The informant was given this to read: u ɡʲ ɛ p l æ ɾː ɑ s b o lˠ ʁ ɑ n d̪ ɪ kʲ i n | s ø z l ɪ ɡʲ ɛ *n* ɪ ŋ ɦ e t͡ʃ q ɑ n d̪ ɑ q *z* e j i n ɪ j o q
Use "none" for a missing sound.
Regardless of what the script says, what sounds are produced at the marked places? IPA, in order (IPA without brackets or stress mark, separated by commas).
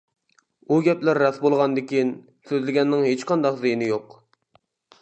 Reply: nː, z